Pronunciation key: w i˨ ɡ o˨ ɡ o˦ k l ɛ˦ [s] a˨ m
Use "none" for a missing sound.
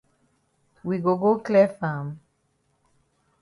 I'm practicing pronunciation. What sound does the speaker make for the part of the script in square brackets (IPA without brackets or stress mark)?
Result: f